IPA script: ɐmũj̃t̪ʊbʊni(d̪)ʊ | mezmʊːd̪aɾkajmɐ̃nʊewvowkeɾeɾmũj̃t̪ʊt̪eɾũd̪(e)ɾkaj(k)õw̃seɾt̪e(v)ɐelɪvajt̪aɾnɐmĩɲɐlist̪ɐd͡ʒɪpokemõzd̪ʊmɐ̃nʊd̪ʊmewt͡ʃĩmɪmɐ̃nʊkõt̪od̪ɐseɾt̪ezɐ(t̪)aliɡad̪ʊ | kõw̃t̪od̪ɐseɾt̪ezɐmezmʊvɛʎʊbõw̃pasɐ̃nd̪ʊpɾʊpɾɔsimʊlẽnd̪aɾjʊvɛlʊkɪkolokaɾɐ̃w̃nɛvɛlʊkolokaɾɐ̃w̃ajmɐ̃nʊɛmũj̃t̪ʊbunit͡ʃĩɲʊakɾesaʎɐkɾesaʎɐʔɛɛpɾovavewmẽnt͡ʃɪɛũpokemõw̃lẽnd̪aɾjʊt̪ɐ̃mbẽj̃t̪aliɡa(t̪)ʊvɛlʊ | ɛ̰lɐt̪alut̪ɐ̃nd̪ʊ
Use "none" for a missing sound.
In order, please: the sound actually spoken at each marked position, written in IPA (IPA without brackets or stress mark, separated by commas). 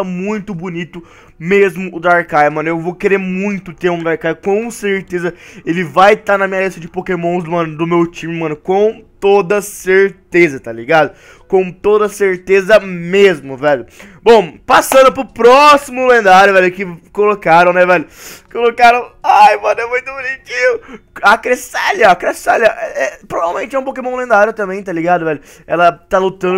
t̪, a, k, z, t̪, d̪